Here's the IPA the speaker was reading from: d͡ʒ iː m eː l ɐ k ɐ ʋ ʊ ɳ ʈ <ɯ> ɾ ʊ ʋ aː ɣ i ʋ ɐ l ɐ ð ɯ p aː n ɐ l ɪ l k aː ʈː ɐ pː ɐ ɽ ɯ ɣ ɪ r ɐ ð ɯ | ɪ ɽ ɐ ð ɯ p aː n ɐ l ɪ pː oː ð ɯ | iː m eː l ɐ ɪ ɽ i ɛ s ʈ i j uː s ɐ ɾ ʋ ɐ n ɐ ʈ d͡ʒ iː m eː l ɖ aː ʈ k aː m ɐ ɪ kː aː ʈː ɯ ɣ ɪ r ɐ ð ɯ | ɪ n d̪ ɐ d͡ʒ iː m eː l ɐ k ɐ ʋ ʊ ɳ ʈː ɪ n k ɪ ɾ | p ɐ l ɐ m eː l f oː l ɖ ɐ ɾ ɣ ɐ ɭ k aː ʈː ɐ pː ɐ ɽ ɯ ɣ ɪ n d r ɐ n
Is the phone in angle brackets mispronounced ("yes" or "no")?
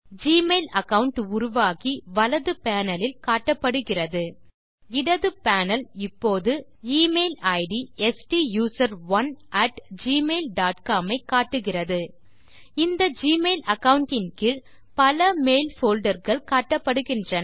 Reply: yes